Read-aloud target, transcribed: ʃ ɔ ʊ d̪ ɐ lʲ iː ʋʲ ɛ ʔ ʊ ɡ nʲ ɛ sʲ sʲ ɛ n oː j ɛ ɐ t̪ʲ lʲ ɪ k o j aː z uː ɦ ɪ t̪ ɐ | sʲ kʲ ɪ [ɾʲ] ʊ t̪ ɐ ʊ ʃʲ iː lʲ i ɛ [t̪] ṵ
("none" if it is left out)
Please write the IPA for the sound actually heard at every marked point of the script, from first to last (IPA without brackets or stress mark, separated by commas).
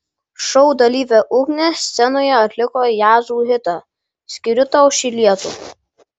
ɾʲ, t̪